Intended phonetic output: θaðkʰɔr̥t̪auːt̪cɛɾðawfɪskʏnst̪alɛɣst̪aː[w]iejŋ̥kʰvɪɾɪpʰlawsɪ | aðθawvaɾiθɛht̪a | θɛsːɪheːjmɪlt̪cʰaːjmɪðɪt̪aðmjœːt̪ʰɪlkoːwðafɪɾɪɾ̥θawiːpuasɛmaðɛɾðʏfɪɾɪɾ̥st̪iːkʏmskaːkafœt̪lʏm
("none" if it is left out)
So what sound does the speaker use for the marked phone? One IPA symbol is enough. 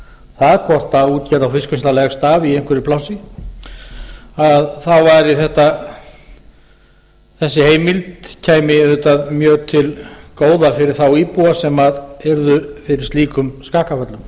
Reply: v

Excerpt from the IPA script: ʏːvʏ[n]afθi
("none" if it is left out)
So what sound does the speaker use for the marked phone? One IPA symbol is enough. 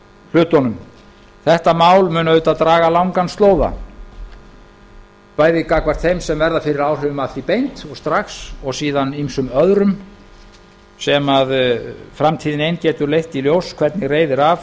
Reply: m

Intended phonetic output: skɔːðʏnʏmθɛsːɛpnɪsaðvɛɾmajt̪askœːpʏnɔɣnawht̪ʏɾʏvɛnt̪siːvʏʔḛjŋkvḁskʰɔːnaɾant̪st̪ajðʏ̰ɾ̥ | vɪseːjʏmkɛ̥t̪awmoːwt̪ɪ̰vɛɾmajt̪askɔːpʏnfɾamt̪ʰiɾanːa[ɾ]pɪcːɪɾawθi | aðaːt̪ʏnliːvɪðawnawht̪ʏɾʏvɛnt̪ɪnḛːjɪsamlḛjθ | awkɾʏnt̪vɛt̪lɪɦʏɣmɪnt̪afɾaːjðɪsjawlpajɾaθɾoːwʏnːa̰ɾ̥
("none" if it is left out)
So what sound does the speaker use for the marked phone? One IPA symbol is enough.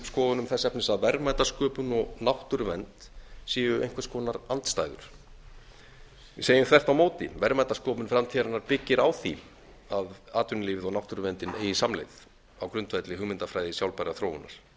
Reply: ɾ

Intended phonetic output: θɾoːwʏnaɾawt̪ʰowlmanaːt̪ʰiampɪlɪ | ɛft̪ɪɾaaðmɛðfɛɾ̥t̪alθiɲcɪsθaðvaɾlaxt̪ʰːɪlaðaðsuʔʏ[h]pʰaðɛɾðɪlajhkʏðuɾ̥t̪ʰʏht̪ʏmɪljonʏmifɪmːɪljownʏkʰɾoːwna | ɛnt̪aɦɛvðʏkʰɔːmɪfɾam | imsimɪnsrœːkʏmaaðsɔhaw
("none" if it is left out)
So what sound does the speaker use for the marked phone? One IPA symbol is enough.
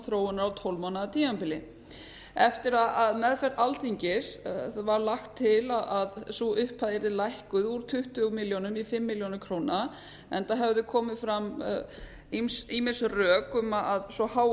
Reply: h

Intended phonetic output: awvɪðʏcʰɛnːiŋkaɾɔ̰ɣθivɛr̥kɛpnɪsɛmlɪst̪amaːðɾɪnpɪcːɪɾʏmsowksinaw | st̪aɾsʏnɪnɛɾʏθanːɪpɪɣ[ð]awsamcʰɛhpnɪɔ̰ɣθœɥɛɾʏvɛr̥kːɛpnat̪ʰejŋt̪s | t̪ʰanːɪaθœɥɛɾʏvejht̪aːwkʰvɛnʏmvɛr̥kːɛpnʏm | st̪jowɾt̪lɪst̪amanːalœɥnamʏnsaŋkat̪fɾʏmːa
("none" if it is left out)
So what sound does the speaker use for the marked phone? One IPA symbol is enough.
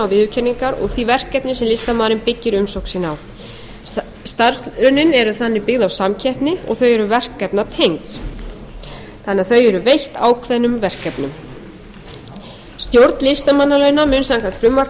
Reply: ð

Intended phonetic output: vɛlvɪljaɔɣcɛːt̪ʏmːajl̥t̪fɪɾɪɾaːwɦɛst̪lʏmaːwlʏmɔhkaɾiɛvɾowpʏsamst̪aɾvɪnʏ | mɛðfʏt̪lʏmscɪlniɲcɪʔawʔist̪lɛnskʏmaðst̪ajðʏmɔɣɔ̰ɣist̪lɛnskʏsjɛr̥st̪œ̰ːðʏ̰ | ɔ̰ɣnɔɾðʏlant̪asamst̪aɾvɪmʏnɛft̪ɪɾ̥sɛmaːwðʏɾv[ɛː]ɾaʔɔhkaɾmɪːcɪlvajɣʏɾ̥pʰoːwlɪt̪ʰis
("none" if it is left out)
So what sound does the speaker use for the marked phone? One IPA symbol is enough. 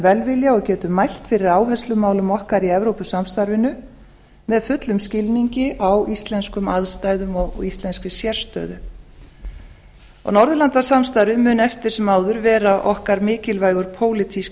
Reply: ɛː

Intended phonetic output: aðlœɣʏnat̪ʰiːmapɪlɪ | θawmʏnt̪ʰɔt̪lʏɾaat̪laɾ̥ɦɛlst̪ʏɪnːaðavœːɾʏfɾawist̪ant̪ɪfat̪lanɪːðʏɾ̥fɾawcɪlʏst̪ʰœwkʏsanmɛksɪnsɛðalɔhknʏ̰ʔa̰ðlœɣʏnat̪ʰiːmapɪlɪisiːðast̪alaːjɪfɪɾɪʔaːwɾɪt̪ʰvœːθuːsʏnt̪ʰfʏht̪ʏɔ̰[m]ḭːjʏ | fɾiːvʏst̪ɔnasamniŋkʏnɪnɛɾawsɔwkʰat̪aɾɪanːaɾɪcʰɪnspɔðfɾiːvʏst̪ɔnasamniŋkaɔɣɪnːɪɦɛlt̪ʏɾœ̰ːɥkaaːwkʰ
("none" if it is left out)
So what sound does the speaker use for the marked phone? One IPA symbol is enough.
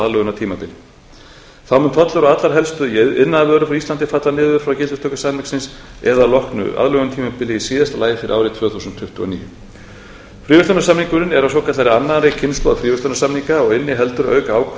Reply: n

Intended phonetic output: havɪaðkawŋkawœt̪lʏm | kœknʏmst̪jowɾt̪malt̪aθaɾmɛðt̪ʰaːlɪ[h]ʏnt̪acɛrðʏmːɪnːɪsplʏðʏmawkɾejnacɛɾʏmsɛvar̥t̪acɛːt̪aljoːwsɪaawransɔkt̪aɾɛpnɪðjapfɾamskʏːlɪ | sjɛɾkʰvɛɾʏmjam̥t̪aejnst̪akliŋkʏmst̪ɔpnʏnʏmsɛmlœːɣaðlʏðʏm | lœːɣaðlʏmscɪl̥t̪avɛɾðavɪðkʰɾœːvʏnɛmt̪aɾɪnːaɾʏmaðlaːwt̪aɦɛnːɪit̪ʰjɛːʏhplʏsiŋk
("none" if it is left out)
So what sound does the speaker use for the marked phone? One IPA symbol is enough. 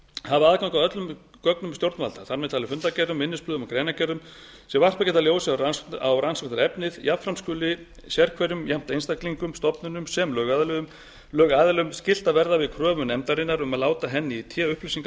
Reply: f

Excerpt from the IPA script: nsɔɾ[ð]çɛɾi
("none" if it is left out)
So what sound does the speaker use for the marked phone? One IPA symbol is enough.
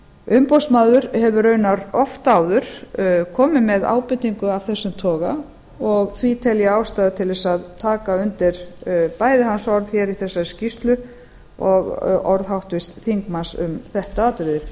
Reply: ð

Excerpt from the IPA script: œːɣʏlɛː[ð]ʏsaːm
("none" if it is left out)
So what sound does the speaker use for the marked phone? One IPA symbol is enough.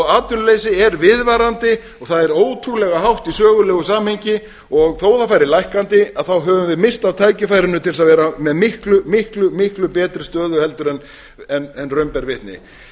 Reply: ɣ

